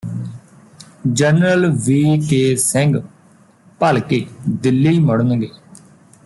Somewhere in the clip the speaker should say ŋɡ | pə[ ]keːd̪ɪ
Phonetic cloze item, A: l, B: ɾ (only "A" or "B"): A